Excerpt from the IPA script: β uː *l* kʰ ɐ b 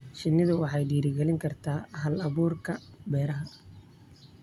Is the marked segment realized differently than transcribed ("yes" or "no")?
yes